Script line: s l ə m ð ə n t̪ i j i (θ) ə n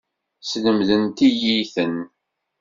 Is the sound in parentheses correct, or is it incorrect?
correct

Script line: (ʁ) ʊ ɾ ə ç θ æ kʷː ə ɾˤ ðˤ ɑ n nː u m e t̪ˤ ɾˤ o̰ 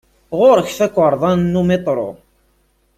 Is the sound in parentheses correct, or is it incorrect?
correct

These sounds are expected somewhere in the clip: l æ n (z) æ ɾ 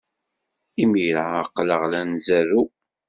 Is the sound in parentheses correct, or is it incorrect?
correct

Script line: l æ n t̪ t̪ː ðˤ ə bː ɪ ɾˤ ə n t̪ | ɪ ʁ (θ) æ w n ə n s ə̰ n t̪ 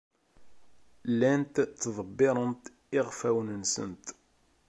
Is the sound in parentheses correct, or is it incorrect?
incorrect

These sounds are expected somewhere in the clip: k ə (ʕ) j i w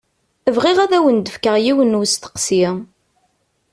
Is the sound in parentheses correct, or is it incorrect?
incorrect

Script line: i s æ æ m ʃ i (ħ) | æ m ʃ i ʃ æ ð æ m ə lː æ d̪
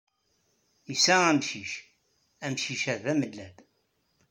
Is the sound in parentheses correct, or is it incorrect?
incorrect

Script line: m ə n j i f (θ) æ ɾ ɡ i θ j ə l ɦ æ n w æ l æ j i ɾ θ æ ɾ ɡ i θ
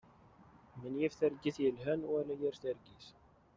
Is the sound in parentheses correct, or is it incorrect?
correct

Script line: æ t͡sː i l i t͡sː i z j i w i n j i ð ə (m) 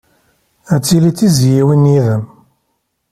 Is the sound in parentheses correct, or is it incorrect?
correct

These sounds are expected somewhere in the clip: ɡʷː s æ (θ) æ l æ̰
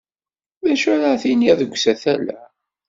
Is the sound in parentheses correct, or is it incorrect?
correct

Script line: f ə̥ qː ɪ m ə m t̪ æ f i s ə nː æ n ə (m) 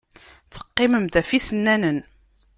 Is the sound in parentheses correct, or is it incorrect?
incorrect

